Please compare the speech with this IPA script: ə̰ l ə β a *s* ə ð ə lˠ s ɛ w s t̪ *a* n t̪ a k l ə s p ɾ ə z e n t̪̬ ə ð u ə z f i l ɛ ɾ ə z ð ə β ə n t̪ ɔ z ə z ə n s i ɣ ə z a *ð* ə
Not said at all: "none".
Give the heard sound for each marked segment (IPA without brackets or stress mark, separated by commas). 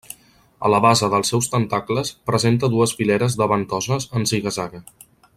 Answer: z, ə, ɣ